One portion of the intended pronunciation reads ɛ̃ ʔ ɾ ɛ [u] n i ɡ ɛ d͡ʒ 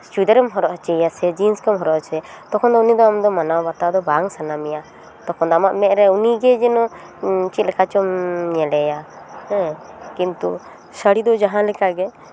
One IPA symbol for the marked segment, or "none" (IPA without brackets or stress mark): u